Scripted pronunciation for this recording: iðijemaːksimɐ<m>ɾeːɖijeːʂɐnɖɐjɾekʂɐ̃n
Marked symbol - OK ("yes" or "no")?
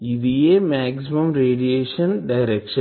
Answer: yes